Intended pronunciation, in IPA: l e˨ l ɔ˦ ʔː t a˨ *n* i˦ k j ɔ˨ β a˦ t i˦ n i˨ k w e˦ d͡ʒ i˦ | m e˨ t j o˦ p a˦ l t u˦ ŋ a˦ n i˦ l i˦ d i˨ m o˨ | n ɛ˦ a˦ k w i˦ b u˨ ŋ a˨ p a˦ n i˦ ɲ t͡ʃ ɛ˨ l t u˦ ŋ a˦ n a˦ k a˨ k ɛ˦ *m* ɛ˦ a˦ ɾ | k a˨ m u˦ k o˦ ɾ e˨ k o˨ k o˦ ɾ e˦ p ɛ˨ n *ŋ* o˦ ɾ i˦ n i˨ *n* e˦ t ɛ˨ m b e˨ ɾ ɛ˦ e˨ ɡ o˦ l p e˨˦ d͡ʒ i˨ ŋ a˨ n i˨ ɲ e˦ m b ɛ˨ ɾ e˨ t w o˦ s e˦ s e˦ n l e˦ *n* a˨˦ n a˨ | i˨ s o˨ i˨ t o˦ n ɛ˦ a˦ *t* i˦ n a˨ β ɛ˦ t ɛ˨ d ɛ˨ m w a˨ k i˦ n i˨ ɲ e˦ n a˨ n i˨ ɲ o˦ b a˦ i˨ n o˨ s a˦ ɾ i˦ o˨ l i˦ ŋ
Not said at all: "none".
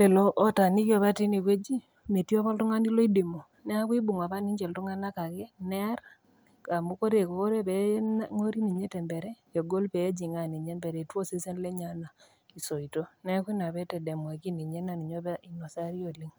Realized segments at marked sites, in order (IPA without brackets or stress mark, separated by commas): n, n, ŋ, ɲ, ɲ, k